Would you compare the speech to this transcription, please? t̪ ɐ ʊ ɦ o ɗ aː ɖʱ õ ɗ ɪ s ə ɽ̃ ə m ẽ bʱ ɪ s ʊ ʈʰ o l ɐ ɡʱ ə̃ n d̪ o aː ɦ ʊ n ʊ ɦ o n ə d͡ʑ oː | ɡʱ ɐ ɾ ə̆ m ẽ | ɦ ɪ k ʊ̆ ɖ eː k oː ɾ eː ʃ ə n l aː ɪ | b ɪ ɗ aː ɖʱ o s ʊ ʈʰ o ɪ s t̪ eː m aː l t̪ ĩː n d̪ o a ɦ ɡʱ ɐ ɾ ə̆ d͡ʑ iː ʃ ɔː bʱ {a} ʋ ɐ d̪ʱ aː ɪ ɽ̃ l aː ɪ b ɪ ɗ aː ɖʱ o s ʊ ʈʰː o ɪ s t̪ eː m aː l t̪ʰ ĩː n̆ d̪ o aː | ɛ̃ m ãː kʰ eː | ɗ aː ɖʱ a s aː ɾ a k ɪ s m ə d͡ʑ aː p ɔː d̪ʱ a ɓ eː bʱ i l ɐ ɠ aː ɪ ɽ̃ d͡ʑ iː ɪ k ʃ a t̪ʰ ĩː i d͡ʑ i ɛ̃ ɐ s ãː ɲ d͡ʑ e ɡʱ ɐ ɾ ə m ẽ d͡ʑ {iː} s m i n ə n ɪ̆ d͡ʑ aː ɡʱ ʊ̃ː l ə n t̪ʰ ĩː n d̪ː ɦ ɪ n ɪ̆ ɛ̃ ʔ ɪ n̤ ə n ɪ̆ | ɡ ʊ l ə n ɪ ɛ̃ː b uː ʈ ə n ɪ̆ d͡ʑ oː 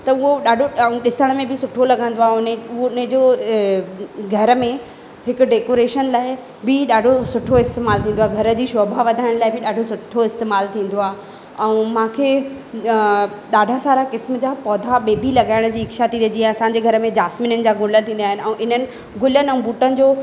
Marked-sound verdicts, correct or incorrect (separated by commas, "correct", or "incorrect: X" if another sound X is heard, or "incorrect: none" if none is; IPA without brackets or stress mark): correct, incorrect: aː